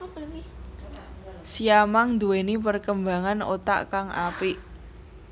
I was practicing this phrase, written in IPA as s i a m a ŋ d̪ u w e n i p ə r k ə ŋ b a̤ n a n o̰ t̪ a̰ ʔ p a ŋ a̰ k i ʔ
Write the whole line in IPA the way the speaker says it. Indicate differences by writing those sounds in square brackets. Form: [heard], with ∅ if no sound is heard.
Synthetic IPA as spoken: s i a m a ŋ d̪ u w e n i p ə r k ə [m] b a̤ [ŋ] a n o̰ t̪ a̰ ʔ [k] a ŋ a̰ [p] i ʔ